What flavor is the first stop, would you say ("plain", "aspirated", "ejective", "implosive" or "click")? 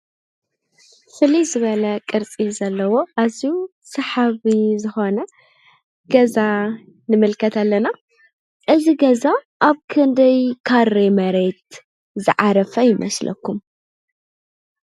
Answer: ejective